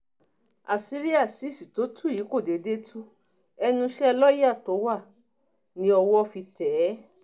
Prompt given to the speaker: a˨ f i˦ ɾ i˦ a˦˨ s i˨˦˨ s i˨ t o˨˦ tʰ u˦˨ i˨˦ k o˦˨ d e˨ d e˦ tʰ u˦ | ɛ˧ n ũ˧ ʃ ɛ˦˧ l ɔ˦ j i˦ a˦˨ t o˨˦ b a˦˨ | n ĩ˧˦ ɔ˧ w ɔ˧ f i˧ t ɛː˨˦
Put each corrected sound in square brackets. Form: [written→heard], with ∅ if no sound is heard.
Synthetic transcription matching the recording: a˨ [f→s] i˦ ɾ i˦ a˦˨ s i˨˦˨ s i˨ t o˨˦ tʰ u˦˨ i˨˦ k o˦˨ d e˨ d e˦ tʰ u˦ | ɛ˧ n ũ˧ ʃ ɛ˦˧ l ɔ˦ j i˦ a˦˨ t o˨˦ [b→w] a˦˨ | n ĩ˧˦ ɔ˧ w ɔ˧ f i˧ t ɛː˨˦

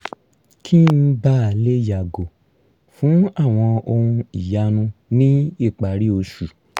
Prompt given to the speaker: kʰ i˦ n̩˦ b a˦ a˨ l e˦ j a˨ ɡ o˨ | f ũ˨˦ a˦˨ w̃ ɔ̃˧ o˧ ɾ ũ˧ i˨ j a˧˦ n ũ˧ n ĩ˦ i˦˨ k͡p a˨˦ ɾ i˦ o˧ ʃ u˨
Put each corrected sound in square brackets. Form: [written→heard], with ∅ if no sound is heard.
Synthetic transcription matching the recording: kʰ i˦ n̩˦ b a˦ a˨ l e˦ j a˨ ɡ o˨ | f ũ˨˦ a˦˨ w̃ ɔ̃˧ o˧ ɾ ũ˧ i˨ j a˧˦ n ũ˧ n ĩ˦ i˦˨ k͡p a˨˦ ɾ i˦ o˧ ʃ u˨

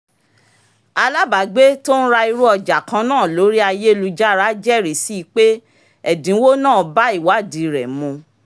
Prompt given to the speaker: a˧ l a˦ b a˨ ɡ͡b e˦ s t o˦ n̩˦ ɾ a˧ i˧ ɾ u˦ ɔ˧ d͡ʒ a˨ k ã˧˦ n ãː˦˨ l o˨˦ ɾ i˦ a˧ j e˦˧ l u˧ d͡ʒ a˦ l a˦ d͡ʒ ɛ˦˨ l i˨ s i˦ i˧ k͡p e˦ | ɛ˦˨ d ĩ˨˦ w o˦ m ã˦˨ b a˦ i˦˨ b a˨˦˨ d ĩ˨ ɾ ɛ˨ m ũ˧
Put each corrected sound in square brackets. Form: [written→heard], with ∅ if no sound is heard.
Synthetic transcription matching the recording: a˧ l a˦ b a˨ ɡ͡b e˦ [s→∅] t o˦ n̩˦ ɾ a˧ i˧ ɾ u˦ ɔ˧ d͡ʒ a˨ k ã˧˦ n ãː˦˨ l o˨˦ ɾ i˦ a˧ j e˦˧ l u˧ d͡ʒ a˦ [l→ɾ] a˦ d͡ʒ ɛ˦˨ [l→ɾ] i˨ s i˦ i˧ k͡p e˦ | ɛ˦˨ d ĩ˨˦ w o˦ [m→n] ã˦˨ b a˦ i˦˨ [b→w] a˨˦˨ d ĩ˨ ɾ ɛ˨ m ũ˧

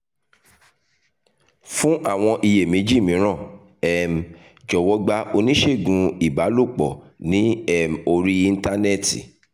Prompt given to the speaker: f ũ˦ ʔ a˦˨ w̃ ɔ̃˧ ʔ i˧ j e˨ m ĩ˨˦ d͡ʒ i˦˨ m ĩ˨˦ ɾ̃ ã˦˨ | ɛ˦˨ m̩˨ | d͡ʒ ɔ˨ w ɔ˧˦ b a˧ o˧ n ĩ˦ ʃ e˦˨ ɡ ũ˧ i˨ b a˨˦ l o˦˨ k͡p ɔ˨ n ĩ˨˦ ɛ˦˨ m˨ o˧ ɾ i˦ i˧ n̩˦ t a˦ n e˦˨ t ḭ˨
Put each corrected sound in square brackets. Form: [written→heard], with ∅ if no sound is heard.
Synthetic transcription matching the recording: f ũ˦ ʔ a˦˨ w̃ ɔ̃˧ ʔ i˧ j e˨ m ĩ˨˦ d͡ʒ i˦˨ m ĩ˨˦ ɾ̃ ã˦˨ | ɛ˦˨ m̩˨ | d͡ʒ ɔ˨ w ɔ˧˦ [b→ɡ͡b] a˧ o˧ n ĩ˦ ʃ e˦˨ ɡ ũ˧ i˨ b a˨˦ l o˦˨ k͡p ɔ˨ n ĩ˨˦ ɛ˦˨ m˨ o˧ ɾ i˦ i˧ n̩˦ t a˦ n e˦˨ t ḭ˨

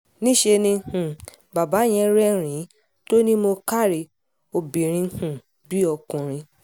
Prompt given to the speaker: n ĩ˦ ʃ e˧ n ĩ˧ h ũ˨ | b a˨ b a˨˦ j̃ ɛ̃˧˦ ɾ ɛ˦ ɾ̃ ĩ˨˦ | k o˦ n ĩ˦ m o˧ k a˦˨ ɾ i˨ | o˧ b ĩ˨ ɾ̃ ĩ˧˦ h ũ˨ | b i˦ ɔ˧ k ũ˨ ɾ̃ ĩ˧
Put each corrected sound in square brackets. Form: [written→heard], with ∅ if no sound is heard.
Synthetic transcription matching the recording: n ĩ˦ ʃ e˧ n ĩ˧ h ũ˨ | b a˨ b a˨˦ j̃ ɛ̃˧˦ ɾ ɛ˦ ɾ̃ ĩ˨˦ | [k→t] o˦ n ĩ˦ m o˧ k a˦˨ ɾ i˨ | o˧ b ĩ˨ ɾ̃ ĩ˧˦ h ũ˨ | b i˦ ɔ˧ k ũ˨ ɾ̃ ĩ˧

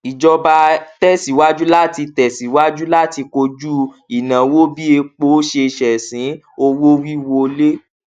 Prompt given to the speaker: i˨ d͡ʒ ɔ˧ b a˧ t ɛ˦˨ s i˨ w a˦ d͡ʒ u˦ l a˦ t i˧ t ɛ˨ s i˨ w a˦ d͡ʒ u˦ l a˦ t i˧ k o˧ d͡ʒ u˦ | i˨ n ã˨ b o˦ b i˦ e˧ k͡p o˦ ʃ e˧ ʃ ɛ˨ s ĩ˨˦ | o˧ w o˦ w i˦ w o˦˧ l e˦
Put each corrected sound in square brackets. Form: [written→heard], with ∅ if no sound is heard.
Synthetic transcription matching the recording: i˨ d͡ʒ ɔ˧ b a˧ t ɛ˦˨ s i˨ w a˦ d͡ʒ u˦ l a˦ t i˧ t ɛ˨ s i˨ w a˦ d͡ʒ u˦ l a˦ t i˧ k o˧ d͡ʒ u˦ | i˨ n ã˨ [b→w] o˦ b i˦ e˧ k͡p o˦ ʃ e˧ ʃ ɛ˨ s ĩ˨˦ | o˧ w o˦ w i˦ w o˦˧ l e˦

